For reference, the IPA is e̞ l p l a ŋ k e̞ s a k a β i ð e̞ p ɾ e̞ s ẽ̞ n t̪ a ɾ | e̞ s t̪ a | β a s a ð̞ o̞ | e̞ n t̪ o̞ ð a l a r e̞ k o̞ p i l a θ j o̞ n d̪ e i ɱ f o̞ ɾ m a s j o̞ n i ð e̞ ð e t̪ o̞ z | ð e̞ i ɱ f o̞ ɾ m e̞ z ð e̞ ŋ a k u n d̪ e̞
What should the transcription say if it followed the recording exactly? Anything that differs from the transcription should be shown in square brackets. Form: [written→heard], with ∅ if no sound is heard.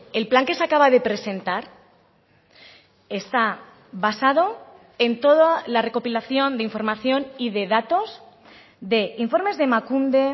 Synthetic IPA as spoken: e̞ l p l a ŋ k e̞ s a k a β [i→a] ð e̞ p ɾ e̞ s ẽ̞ n t̪ a ɾ | e̞ s t̪ a | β a s a ð̞ o̞ | e̞ n t̪ o̞ ð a l a r e̞ k o̞ p i l a θ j o̞ n d̪ e i ɱ f o̞ ɾ m a [s→θ] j o̞ n i ð e̞ ð [e→a] t̪ o̞ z | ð e̞ i ɱ f o̞ ɾ m e̞ z ð e̞ [ŋ→m] a k u n d̪ e̞